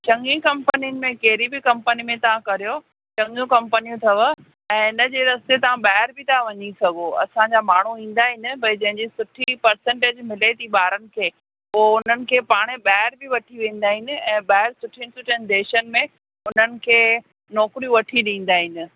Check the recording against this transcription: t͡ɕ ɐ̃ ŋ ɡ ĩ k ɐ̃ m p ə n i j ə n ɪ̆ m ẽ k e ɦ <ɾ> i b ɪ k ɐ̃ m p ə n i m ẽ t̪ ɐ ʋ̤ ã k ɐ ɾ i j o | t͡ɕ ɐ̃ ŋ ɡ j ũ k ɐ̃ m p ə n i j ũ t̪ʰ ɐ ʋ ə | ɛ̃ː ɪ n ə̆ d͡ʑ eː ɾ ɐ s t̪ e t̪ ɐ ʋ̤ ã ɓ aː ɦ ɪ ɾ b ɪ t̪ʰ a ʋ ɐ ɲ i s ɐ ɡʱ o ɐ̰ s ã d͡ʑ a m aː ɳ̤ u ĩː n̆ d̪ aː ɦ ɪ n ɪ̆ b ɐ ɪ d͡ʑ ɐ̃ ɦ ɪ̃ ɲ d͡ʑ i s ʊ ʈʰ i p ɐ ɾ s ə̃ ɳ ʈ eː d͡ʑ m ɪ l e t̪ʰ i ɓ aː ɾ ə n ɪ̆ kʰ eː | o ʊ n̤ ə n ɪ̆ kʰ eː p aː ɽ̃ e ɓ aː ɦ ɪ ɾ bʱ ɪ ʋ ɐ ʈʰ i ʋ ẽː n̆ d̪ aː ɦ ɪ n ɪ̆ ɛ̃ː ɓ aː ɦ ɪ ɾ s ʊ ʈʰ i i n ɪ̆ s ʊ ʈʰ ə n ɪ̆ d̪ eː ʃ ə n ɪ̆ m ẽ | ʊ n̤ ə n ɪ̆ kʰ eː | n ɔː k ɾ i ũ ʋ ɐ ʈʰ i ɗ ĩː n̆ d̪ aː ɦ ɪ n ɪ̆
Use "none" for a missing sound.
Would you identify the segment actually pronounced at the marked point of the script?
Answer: ɾ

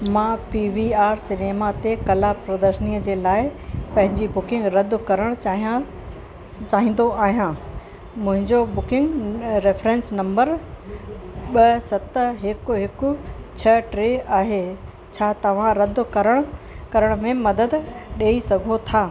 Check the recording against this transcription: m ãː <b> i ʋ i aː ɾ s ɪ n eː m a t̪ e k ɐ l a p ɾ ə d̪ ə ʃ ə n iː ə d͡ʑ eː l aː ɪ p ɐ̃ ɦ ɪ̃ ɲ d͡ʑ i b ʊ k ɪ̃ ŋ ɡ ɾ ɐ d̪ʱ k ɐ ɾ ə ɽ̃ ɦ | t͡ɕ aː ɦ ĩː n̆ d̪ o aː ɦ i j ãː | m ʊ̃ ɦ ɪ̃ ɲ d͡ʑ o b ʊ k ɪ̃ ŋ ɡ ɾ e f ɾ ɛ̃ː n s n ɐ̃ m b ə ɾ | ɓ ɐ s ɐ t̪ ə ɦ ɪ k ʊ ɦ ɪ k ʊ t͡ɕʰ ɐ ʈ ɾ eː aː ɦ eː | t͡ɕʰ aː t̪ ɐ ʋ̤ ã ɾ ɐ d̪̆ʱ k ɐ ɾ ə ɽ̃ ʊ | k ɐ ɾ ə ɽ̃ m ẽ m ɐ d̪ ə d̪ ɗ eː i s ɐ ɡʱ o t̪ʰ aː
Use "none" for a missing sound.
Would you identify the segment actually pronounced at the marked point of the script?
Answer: p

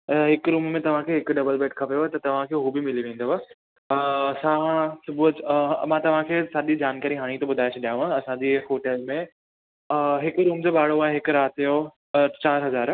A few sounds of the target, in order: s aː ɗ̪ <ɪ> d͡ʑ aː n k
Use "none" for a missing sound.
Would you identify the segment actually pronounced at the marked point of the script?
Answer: i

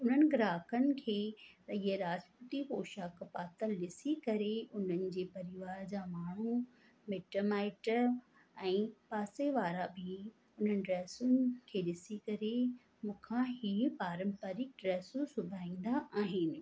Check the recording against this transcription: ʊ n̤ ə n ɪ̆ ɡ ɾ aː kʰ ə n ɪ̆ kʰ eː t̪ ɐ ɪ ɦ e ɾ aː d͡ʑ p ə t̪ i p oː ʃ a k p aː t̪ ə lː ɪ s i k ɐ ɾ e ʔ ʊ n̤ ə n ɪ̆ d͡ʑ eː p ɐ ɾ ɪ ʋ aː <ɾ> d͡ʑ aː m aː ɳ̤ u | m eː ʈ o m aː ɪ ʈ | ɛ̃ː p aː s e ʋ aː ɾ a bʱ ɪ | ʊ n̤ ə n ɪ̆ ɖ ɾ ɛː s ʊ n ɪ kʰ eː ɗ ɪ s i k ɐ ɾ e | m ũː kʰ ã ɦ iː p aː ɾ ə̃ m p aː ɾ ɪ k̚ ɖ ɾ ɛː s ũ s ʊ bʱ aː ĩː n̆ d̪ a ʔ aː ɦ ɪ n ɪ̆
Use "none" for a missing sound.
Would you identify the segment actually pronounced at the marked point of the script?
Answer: ɾ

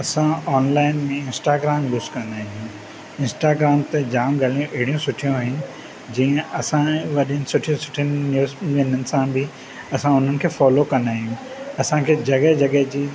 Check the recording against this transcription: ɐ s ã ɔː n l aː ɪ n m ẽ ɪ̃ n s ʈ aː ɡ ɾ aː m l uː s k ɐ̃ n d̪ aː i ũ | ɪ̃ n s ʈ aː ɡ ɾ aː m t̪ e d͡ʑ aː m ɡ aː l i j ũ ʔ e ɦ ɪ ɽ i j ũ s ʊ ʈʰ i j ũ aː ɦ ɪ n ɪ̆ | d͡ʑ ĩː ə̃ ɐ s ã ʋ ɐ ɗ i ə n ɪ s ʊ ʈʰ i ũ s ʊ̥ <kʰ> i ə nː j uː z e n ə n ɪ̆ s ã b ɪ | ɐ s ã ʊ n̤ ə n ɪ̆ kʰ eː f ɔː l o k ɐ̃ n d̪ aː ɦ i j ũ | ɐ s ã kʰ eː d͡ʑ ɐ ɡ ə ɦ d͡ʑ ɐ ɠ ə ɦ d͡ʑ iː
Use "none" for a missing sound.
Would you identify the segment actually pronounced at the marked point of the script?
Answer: ʈʰ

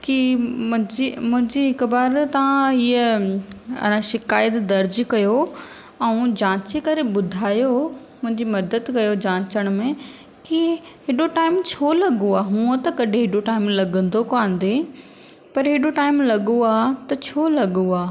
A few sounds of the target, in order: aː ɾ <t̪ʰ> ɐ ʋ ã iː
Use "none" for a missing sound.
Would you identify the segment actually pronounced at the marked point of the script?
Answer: t̪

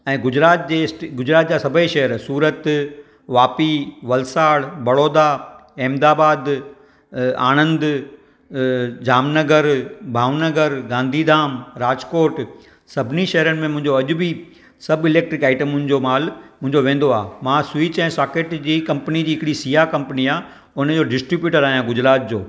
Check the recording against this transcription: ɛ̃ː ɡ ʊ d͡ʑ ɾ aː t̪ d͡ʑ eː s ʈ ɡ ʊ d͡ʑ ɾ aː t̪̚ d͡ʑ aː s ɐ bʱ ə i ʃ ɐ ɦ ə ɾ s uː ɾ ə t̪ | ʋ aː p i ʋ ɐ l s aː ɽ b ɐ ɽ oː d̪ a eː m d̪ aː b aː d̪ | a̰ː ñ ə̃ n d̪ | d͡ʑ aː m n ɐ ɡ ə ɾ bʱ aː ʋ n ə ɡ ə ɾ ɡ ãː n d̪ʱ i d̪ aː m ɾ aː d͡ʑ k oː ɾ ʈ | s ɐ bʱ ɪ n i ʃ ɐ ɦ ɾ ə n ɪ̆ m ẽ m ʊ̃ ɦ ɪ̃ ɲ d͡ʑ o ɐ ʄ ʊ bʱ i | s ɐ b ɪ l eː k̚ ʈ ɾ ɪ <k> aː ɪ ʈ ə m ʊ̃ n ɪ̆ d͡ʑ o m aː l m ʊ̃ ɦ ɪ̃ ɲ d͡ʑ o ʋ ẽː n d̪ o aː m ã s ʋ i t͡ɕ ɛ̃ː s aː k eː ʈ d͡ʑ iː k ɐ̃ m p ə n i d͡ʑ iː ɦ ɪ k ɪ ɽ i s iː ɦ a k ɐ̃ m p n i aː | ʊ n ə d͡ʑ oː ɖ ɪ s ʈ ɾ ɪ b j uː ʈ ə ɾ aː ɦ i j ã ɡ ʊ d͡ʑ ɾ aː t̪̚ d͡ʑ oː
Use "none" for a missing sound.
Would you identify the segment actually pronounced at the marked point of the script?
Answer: k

